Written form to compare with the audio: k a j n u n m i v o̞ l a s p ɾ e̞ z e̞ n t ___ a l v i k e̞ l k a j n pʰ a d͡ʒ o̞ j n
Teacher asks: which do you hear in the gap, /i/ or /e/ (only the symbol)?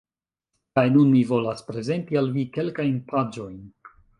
i